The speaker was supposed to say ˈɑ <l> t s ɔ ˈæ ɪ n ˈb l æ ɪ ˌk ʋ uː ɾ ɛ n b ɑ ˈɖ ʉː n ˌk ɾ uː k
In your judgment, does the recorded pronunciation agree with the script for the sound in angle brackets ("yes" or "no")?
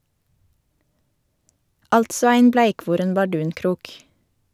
yes